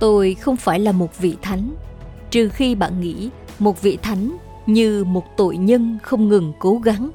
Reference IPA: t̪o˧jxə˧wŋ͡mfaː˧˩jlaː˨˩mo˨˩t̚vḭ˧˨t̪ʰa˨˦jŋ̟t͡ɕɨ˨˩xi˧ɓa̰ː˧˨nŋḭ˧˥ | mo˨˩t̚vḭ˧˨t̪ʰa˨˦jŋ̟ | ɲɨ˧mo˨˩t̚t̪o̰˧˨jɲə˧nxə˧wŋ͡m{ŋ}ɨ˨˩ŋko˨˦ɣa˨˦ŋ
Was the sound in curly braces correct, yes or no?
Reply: yes